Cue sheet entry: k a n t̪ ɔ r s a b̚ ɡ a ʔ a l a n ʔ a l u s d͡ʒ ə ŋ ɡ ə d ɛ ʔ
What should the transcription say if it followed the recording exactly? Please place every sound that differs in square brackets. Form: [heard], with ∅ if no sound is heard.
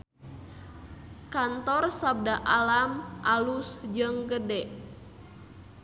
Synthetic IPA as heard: k a n t̪ ɔ r s a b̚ [d] a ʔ a l a [m] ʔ a l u s d͡ʒ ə ŋ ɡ ə d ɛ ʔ